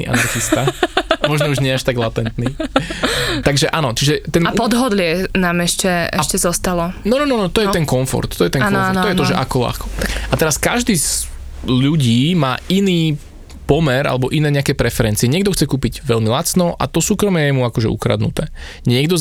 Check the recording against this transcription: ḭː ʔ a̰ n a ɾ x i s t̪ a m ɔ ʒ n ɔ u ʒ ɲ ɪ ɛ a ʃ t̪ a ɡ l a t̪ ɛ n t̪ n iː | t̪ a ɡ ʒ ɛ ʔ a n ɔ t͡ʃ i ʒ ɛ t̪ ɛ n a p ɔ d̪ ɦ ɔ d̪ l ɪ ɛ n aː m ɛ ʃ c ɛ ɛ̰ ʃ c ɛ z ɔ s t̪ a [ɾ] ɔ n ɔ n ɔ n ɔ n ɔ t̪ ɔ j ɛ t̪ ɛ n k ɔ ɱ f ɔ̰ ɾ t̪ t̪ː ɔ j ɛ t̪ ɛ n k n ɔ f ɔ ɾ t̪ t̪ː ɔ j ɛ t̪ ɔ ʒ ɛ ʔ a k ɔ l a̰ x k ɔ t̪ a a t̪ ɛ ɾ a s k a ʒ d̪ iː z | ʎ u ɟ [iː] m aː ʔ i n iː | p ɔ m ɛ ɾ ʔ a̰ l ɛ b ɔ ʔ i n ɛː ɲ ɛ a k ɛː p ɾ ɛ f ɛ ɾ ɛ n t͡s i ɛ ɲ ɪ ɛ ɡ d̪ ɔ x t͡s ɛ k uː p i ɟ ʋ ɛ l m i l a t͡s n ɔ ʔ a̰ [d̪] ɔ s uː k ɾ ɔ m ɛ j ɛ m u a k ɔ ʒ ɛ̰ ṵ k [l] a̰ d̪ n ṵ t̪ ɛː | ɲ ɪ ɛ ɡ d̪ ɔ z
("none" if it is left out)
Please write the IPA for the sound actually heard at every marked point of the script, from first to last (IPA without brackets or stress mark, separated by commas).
l, iː, t̪, ɾ